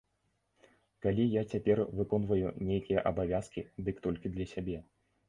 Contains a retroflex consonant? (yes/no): no